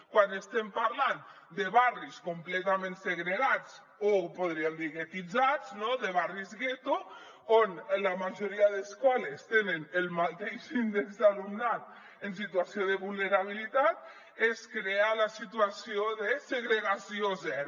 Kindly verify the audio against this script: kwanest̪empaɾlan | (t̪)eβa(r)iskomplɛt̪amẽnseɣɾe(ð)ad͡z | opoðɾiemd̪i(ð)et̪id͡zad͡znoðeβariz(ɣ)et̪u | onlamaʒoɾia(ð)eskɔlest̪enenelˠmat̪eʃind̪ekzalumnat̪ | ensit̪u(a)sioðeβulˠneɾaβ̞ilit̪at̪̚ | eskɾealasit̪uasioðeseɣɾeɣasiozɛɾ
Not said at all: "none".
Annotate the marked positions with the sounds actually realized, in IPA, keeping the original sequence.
d̪, r, ɣ, ɣ, ɣ, ð, a

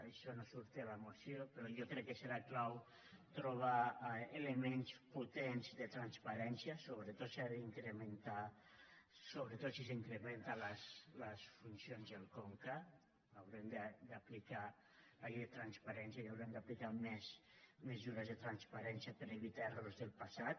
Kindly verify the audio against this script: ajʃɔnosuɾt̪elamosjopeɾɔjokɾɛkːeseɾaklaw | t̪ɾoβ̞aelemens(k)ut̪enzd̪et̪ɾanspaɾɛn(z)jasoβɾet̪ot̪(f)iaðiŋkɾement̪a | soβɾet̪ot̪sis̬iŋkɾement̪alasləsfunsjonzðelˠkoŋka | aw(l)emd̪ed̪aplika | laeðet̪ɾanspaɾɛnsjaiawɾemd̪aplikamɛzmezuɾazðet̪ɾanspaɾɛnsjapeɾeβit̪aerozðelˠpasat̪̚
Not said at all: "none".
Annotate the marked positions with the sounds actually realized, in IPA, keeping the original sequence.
p, s, s, ɾ

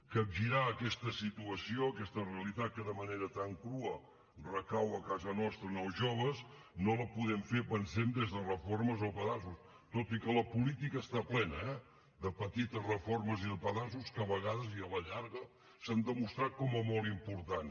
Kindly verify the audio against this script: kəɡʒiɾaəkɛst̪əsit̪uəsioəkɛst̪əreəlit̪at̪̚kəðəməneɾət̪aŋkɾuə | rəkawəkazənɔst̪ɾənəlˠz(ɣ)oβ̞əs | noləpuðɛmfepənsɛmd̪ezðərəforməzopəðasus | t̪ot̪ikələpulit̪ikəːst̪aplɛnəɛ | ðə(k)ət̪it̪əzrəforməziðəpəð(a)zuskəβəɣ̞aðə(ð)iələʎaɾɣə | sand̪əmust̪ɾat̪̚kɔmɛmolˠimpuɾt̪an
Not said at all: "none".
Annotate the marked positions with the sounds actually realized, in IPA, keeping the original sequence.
ʒ, p, a, z

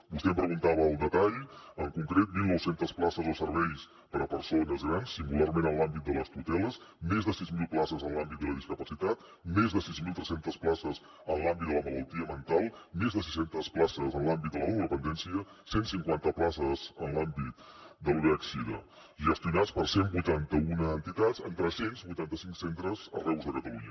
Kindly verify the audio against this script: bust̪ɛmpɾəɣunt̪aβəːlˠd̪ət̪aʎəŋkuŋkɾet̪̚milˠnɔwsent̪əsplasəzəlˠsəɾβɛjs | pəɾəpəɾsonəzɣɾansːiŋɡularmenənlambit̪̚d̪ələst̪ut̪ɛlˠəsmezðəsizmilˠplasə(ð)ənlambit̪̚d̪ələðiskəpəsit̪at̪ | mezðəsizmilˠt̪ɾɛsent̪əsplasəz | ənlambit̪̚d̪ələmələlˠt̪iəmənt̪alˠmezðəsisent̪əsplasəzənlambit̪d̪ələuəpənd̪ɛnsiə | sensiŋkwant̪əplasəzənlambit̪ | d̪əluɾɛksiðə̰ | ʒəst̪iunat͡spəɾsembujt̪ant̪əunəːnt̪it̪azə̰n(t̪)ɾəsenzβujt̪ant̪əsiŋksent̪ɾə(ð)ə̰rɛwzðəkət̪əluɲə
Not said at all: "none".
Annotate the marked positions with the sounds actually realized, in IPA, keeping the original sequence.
z, t̪, z

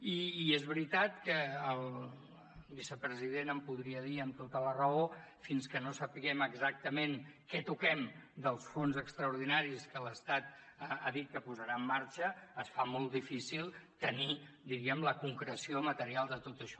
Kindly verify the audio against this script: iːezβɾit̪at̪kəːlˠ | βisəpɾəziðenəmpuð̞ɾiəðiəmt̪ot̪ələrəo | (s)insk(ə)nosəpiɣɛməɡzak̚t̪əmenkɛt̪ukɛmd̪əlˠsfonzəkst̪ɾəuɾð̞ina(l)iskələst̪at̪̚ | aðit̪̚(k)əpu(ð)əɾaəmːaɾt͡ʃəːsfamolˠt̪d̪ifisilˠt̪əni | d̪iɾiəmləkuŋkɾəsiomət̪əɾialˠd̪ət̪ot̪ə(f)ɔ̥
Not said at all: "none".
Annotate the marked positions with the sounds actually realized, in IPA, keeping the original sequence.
f, ə, ɾ, k, z, ʃ

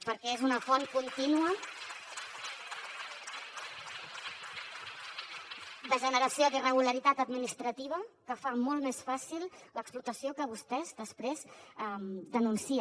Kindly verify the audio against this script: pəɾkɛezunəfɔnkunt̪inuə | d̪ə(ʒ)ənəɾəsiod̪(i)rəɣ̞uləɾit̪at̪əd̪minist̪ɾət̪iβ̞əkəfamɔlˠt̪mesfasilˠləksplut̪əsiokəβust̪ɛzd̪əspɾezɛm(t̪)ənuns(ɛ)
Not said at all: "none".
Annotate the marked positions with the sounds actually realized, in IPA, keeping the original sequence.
ʒ, i, d̪, i

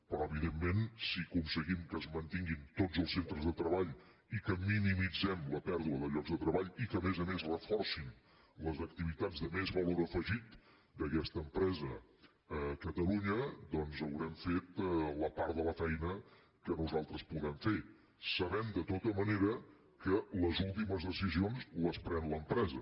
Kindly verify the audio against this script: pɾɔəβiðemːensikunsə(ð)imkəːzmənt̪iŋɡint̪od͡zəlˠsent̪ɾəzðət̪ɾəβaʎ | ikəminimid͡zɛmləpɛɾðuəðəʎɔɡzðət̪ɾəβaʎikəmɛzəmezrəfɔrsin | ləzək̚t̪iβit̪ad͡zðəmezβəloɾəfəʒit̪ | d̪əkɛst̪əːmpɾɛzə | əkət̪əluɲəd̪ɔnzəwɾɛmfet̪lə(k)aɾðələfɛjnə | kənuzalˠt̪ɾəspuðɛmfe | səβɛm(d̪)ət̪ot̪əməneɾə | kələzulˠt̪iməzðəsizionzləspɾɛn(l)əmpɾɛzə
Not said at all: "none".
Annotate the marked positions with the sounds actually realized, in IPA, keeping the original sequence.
ɣ, p, d̪, l

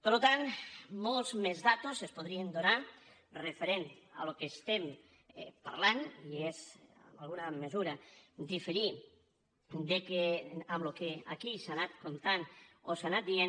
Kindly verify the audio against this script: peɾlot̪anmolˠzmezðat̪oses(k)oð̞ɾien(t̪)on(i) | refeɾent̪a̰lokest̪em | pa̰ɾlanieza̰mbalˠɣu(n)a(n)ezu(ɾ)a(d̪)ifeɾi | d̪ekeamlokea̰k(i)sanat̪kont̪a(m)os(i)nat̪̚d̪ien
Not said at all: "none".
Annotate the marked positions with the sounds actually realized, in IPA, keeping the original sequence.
p, d̪, a, n, m, ɾ, d̪, i, n, a

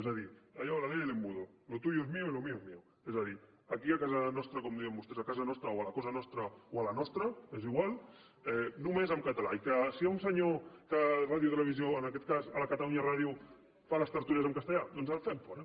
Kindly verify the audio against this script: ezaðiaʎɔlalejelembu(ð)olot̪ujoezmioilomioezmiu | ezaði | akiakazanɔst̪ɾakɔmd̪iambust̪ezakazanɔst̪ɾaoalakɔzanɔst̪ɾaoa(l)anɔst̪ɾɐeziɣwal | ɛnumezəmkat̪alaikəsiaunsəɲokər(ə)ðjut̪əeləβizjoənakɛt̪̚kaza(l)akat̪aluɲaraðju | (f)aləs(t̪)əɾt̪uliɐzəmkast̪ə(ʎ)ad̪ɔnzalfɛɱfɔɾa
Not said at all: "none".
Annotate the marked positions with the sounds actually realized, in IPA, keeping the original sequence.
ð, l, a, l, f, t̪, ʎ

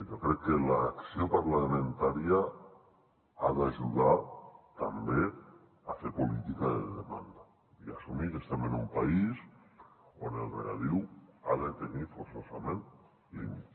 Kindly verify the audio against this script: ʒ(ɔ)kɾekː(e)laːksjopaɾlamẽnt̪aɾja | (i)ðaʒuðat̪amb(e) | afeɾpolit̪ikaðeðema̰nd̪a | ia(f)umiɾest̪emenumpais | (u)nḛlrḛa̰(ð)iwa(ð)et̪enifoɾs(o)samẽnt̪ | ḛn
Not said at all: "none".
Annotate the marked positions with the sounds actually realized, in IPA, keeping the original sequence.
o, e, a, e, s, o, ð, ð, o

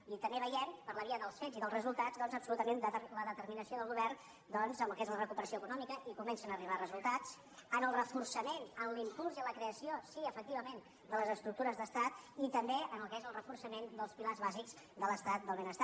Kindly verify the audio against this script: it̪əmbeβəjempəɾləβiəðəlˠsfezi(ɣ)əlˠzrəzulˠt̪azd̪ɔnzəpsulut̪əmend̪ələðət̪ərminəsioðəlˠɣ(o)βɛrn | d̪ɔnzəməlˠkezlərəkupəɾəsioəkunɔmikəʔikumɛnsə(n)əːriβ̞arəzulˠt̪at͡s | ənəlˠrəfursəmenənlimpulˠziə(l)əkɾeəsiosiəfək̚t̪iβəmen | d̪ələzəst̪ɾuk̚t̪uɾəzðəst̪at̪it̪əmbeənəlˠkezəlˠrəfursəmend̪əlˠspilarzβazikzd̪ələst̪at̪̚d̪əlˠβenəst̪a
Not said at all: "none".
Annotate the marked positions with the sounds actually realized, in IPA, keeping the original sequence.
ð, u, n, l

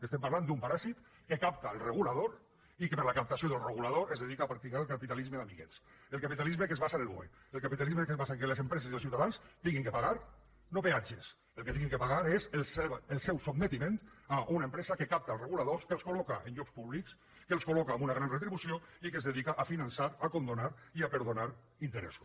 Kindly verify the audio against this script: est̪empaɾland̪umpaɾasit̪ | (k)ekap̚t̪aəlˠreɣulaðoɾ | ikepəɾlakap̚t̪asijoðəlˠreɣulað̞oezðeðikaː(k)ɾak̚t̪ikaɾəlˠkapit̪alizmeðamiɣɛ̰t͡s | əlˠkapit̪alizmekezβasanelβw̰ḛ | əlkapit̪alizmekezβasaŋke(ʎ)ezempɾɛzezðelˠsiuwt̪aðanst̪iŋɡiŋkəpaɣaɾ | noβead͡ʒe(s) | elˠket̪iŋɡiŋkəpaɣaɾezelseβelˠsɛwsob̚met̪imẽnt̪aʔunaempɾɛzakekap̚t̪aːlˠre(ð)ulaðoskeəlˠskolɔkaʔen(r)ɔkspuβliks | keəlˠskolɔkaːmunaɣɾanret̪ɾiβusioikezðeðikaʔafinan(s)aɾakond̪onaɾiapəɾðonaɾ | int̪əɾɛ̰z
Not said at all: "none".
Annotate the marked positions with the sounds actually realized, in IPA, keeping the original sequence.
k, p, l, s, ɣ, ʎ, s

